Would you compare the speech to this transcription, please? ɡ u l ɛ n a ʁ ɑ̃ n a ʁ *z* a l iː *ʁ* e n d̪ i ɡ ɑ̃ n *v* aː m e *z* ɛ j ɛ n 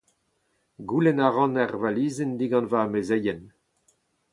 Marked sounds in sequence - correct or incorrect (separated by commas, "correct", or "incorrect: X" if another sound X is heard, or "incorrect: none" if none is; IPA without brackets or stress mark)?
incorrect: v, incorrect: z, correct, correct